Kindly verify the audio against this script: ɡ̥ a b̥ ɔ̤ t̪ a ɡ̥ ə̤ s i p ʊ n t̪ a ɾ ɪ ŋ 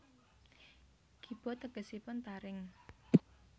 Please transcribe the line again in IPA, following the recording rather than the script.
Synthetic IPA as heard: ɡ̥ i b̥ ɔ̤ t̪ ə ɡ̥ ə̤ s i p ʊ n t̪ a ɾ ɪ ŋ